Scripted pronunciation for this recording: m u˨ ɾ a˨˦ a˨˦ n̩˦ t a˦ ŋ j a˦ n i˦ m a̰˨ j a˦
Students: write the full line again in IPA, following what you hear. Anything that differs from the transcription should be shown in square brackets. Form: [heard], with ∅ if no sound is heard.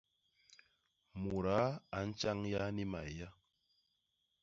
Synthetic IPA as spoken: m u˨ ɾ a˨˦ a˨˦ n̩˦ [t͡ʃ] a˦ ŋ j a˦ n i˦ m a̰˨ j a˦